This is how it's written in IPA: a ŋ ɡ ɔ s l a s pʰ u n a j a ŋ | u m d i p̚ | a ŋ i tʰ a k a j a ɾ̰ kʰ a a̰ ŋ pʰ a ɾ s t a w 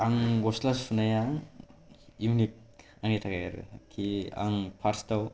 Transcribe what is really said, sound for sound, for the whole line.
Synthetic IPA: a ŋ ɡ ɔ s l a s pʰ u n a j a ŋ | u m n i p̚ | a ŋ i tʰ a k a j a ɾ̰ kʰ i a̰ ŋ pʰ a ɾ s t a w